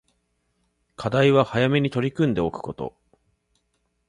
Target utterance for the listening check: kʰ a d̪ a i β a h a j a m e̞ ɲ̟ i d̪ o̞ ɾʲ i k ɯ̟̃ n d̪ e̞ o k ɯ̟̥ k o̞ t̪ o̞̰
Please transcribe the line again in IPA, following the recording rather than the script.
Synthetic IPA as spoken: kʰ a d̪ a i β a h a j a m e̞ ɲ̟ i t̪ o̞ ɾʲ i k ɯ̟̃ n d̪ e̞ o k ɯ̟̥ k o̞ t̪ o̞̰